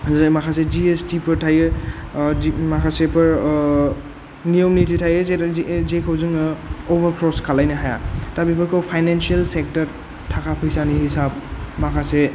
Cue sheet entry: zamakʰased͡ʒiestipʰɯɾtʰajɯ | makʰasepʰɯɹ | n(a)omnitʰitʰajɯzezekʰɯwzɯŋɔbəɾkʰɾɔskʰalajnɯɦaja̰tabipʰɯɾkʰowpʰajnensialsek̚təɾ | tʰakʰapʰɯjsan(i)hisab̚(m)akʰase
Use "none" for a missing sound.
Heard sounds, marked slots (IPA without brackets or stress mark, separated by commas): i, i, m